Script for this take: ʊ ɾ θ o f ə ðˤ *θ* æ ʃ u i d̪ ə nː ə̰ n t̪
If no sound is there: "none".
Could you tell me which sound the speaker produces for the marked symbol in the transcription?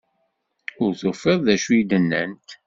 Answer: ð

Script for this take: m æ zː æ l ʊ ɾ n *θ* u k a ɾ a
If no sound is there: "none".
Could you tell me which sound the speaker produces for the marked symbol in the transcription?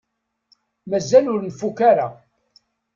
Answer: f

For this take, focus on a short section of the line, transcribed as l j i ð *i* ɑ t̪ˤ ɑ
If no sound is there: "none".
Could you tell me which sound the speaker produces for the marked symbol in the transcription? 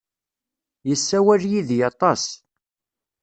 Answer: j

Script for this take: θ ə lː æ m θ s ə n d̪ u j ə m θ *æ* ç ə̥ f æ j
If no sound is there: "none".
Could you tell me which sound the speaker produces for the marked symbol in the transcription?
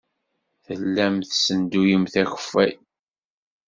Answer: æ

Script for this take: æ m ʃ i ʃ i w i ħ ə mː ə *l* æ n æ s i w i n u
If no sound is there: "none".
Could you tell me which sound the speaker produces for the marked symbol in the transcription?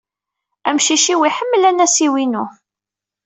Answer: l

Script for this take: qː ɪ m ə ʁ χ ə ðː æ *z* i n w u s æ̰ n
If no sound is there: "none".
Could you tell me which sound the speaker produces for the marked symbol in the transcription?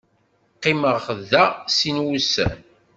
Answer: s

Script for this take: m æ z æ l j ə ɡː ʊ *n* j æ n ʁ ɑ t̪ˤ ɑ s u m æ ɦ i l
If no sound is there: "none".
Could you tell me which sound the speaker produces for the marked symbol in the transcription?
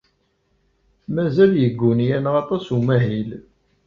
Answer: n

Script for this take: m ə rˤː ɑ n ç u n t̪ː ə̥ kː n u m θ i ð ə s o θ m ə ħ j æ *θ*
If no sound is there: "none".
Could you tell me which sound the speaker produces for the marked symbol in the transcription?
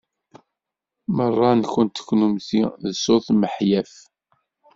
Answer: f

